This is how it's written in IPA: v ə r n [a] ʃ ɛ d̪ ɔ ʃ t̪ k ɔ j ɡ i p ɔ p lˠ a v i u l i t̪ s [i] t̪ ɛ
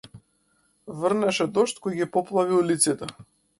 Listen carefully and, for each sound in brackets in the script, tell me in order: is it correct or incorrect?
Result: incorrect: ɛ, correct

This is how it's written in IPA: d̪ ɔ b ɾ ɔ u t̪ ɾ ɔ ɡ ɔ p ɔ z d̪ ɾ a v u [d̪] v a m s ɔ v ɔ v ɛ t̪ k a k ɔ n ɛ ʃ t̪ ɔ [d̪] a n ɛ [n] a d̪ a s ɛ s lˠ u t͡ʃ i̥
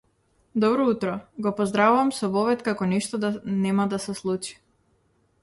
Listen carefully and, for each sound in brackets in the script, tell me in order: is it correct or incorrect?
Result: incorrect: none, correct, incorrect: m

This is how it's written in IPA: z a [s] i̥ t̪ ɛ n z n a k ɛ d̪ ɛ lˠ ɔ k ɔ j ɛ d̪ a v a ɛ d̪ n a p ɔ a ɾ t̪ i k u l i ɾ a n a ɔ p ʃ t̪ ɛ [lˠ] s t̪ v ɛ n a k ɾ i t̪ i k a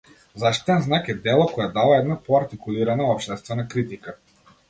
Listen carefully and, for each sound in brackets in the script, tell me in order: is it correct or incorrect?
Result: incorrect: ʃ, incorrect: none

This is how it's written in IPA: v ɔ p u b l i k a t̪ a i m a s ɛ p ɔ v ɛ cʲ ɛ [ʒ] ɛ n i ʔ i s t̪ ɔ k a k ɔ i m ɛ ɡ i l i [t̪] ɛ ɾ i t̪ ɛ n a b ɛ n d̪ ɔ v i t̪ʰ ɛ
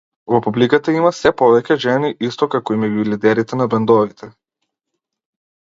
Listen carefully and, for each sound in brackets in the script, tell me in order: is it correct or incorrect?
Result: correct, incorrect: d̪

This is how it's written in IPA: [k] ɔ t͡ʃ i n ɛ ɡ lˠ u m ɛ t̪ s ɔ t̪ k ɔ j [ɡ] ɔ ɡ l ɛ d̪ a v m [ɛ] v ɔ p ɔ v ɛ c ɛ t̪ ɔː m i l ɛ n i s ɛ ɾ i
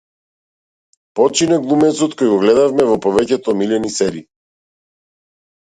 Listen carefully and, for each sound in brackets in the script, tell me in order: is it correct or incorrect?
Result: incorrect: p, correct, correct

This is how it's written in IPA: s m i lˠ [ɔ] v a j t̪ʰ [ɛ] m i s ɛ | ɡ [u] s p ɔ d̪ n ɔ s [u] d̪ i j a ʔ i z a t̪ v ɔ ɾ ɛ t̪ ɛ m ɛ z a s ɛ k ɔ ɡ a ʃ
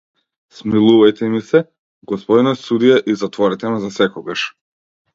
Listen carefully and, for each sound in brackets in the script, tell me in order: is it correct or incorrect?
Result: incorrect: u, correct, incorrect: ɔ, correct

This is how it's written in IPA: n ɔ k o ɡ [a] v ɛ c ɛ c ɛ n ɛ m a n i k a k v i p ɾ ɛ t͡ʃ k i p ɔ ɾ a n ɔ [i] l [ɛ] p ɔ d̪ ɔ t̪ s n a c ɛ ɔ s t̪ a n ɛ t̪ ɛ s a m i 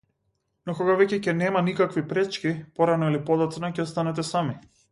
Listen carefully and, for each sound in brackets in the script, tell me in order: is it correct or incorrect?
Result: correct, correct, incorrect: i

